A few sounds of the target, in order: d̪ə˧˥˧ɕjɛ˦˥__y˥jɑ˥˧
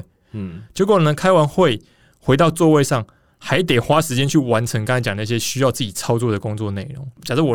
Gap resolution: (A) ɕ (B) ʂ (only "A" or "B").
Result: A